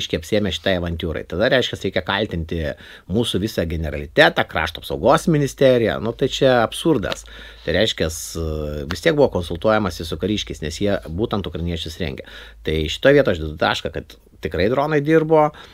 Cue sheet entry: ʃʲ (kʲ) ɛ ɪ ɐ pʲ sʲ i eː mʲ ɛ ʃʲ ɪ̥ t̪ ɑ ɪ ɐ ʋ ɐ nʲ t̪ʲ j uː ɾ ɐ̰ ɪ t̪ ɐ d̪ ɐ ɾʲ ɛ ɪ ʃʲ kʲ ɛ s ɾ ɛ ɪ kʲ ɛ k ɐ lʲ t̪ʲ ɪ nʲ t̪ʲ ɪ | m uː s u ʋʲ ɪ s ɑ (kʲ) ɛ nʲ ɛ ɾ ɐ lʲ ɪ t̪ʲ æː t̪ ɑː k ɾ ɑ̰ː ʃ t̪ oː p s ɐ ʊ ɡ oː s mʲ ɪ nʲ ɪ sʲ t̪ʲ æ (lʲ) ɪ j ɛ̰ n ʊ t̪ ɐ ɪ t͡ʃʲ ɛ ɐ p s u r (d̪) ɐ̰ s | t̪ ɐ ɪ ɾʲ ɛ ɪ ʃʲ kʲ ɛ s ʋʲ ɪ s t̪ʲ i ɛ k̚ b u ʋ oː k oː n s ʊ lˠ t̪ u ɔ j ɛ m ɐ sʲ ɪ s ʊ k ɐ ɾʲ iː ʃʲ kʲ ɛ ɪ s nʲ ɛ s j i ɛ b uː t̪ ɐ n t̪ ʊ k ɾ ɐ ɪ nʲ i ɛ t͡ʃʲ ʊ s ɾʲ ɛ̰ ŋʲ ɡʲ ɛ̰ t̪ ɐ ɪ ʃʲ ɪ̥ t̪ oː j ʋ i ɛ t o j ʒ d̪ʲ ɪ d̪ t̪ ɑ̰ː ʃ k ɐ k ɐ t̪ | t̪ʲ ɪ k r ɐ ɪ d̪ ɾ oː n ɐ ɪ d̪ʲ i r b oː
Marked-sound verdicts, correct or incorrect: correct, incorrect: ɡʲ, incorrect: ɾʲ, correct

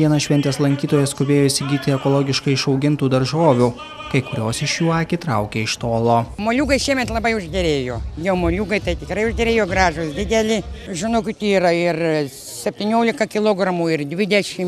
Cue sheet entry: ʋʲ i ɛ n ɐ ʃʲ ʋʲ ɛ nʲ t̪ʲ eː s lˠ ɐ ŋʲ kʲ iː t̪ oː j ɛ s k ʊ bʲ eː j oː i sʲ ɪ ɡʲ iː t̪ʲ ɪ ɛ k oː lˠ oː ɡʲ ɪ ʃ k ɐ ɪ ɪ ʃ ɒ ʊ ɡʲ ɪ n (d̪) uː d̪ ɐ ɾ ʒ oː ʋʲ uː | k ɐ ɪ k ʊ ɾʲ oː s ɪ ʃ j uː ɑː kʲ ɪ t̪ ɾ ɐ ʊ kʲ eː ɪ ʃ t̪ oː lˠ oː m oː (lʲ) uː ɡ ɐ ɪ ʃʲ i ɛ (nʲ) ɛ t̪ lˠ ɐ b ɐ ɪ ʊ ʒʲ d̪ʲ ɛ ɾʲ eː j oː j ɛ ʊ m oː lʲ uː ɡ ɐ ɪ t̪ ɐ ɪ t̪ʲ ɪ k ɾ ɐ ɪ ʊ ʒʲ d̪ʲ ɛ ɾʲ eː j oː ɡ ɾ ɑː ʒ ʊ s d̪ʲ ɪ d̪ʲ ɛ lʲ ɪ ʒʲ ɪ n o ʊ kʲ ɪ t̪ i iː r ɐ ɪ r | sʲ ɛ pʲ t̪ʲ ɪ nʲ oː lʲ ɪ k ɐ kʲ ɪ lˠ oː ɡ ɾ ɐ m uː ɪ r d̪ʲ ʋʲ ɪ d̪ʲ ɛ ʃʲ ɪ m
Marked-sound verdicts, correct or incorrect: incorrect: t̪, correct, incorrect: mʲ

